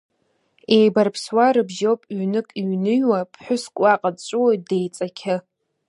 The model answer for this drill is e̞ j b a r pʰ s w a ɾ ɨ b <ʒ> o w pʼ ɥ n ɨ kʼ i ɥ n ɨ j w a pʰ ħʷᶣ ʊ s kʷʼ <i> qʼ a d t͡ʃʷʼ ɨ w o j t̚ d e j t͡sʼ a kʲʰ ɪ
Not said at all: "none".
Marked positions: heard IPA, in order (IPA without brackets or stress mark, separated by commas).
ʒ, a